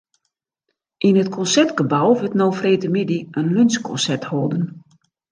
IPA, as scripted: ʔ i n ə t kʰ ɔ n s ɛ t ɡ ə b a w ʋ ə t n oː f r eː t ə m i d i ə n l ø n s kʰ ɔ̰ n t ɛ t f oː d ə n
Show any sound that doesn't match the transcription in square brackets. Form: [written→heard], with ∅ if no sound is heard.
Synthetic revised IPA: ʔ i n ə t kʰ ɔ n s ɛ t ɡ ə b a w ʋ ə t n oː f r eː t ə m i d i ə n l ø n s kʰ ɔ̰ n [t→s] ɛ t [f→h] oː d ə n